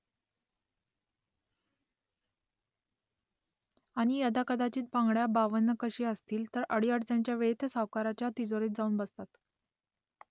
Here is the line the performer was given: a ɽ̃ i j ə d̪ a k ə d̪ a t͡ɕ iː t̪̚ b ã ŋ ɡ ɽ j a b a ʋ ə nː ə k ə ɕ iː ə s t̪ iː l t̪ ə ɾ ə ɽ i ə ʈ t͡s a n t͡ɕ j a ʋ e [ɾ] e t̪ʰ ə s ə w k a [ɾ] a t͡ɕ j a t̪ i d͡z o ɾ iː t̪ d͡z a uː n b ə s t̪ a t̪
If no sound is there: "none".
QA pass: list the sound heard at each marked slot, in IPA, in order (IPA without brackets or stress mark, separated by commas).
ɭ, ɾ